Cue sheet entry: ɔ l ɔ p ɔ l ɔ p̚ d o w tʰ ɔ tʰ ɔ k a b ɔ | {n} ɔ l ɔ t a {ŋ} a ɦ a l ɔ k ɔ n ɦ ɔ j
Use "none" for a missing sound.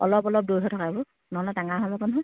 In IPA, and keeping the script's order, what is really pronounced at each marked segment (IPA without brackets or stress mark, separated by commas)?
n, ŋ